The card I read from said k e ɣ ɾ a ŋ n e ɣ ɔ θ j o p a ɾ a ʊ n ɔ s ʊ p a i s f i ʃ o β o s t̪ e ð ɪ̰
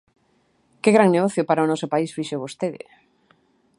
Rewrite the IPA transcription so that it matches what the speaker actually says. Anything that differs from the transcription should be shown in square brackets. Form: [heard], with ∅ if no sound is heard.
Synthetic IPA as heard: k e ɣ ɾ a ŋ n e ɣ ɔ θ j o p a ɾ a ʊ n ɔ s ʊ p a i s f i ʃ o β o s t̪ e ð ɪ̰